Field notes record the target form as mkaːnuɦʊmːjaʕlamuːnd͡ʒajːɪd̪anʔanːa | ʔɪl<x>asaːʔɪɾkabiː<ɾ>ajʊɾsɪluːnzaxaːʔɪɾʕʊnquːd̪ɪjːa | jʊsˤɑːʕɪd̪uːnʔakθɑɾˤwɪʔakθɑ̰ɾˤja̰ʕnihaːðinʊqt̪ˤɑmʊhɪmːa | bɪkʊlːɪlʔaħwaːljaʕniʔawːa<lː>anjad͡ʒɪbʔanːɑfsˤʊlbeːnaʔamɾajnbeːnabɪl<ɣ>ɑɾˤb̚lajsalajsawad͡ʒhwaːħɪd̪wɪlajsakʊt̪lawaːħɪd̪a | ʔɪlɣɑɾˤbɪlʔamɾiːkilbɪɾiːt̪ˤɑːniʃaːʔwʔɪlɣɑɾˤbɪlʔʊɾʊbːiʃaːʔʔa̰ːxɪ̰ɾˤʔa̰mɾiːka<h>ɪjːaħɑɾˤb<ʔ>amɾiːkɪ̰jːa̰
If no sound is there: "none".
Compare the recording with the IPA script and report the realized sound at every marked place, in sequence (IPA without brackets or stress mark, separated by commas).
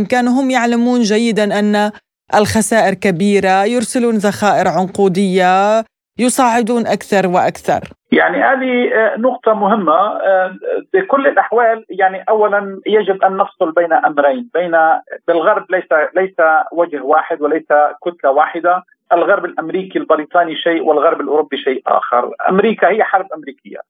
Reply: x, ɾ, l, ɣ, h, ʔ